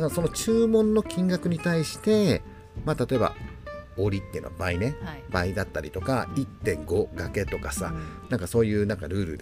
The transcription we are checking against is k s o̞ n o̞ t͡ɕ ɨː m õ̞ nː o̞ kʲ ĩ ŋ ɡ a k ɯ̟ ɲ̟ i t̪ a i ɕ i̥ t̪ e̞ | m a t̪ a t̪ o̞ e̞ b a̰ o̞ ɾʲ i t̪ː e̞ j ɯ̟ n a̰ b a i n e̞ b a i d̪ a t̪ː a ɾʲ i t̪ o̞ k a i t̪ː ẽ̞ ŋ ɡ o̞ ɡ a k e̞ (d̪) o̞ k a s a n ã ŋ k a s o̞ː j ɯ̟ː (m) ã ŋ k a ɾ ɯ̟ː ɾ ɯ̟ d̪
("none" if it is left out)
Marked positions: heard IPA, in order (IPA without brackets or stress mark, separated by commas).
t̪, n